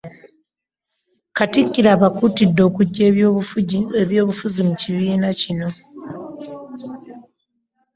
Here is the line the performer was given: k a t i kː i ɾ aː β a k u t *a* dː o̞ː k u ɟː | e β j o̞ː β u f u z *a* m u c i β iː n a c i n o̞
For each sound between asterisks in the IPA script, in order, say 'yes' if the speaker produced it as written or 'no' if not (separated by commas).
no, no